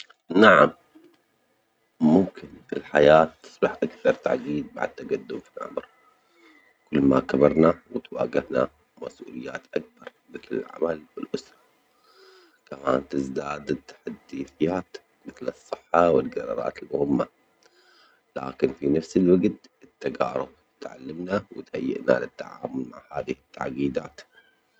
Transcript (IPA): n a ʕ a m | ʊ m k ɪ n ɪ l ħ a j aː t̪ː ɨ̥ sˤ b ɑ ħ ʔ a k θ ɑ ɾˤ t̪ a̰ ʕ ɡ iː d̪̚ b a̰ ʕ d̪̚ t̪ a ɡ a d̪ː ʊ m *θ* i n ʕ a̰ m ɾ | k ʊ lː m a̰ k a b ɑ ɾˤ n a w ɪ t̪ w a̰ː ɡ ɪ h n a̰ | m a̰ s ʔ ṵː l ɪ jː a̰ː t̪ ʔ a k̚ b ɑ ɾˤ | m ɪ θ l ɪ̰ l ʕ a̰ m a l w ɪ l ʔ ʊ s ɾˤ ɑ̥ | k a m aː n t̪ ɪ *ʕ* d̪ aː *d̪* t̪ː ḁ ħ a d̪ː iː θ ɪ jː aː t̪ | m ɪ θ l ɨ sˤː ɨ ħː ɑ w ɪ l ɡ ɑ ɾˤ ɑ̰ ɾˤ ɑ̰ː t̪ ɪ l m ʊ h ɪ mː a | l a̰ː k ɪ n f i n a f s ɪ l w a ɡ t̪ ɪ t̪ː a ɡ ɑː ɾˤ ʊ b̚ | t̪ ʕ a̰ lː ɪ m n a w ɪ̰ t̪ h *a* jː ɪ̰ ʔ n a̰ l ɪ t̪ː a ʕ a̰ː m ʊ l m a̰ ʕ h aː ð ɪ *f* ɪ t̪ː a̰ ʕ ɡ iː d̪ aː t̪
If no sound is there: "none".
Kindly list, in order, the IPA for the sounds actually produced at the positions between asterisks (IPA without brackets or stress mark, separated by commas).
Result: f, z, d̪, a, h